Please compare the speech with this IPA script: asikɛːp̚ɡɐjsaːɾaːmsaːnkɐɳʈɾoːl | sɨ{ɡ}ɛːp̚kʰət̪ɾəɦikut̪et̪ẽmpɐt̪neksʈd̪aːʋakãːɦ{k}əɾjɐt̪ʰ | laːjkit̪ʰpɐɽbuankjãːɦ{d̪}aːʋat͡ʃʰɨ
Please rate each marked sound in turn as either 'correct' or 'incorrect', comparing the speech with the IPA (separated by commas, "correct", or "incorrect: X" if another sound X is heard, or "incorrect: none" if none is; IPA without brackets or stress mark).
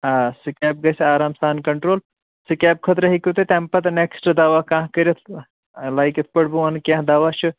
incorrect: k, correct, correct